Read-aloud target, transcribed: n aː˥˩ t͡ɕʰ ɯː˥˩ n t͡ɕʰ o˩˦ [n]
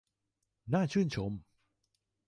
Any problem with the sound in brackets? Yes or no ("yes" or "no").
yes